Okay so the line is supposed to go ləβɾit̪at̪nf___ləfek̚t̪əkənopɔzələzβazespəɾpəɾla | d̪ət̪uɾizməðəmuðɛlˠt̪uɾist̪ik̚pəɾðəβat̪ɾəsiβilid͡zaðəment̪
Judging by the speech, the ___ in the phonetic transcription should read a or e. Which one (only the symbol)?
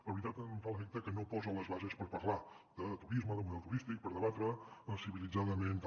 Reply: a